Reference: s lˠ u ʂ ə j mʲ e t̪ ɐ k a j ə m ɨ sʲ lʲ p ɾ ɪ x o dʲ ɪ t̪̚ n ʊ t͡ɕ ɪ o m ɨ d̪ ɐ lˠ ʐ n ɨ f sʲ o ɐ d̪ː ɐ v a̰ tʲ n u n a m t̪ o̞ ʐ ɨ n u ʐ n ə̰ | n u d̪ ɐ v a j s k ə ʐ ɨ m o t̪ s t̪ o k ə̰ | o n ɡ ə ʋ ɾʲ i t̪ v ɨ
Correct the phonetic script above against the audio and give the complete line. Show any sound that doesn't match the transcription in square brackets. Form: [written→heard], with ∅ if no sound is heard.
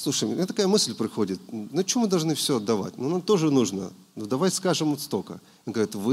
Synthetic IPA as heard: s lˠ u ʂ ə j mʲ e t̪ ɐ k a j ə m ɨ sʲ lʲ p ɾ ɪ x o dʲ ɪ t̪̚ n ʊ t͡ɕ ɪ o m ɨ d̪ ɐ lˠ ʐ n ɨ f sʲ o ɐ d̪ː ɐ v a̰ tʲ n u n a m t̪ o̞ ʐ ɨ n u ʐ n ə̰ | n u d̪ ɐ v a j s k [ə→a] ʐ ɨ m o t̪ s t̪ o k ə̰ | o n ɡ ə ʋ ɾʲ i t̪ v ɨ